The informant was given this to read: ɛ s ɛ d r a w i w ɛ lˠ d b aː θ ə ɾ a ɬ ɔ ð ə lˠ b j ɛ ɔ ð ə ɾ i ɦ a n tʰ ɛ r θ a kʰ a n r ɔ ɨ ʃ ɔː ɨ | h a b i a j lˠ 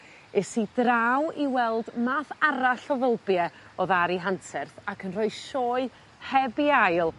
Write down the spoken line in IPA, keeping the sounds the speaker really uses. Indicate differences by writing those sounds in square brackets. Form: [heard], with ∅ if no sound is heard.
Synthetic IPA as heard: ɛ s [i] d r a w i w ɛ lˠ d [m] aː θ [a] ɾ a ɬ ɔ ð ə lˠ b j ɛ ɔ ð [a] ɾ i ɦ a n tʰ ɛ r θ a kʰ [ə] n r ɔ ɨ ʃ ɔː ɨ | h [ɛ] b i a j lˠ